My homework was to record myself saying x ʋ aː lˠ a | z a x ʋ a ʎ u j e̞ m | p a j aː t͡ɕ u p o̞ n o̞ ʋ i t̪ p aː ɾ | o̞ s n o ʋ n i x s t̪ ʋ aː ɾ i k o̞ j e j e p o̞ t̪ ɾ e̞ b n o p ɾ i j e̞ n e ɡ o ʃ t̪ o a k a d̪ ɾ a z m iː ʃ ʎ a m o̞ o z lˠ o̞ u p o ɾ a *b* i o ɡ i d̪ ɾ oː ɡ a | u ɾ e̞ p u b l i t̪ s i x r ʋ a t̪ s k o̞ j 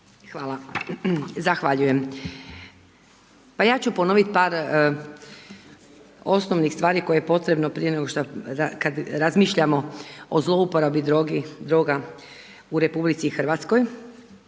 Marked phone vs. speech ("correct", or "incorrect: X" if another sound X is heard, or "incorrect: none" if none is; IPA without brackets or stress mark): correct